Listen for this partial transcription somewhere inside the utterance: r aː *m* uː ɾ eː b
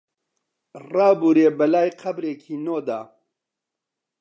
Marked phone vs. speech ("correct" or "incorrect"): incorrect